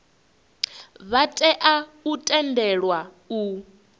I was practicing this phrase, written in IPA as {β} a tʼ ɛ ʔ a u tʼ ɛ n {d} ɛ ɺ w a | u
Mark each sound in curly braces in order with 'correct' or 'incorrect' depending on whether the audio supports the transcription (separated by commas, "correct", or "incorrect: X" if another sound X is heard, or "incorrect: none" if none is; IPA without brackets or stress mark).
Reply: correct, correct